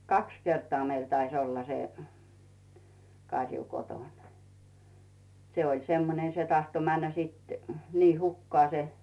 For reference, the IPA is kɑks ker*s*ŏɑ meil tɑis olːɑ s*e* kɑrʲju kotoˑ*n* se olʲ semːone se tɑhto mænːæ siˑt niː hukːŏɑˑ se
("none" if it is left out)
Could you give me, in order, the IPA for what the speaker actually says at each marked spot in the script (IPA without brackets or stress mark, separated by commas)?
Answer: t, e, n